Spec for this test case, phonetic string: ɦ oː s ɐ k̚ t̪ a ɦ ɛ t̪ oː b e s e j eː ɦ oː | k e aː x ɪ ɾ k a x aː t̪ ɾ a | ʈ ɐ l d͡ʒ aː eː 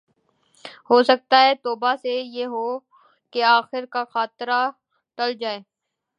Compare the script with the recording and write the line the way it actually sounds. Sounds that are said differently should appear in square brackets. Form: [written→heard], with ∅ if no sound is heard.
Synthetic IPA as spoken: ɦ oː s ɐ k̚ t̪ a ɦ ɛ t̪ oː b [e→a] s e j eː ɦ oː | k e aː x ɪ ɾ k a x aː t̪ ɾ a | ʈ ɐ l d͡ʒ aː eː